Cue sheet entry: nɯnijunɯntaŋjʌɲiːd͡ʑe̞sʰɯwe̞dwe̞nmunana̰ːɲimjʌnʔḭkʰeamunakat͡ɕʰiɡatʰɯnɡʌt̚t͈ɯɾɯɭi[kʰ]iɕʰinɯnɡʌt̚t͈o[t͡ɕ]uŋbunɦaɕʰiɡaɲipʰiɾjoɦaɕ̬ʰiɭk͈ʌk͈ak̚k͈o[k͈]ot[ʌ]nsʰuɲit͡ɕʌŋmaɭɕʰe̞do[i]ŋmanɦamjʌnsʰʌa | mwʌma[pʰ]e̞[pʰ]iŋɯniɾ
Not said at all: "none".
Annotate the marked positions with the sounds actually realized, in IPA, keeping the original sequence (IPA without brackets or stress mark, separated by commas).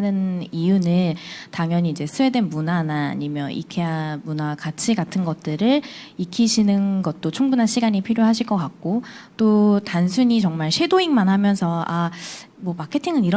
kʰ, t͡ɕʰ, t͈, a, i, kʰ, tʰ